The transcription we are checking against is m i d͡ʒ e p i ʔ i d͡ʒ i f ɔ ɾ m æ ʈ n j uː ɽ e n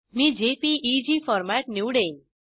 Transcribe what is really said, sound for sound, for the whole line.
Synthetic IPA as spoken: m i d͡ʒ e p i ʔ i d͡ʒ i f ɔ ɾ m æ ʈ n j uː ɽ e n